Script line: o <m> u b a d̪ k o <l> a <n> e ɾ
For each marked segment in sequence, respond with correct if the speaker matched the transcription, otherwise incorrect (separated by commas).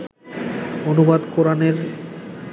incorrect, incorrect, correct